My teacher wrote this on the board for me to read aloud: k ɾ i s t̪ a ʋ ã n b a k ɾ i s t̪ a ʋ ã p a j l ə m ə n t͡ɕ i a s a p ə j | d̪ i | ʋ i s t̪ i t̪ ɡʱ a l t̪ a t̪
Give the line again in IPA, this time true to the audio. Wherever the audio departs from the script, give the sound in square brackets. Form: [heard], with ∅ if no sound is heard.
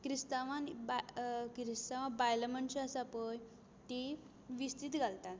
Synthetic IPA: k ɾ i s t̪ a ʋ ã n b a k ɾ i s t̪ a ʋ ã [b] a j l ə m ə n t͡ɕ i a s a p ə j | [t̪] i | ʋ i s t̪ i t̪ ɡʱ a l t̪ a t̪